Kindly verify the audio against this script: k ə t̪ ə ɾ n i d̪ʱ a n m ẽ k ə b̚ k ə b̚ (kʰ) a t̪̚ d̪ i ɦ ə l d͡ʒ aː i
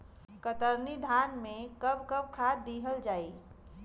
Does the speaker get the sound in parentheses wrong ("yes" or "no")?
no